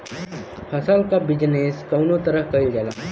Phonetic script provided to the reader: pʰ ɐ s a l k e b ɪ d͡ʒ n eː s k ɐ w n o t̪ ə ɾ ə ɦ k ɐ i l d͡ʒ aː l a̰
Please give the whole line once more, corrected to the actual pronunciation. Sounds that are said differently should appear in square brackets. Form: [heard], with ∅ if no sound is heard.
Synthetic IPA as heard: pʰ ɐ s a l k [a] b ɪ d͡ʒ n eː s k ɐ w n o t̪ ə ɾ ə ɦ k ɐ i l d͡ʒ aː l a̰